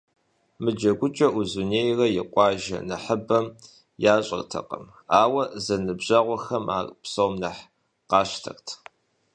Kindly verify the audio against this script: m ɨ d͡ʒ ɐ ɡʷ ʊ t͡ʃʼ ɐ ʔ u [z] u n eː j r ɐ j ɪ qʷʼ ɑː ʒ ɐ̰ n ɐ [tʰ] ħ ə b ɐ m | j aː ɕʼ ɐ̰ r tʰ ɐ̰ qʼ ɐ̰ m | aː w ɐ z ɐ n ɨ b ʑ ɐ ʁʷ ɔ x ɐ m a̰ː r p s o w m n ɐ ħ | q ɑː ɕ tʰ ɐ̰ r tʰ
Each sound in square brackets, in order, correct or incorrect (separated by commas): correct, incorrect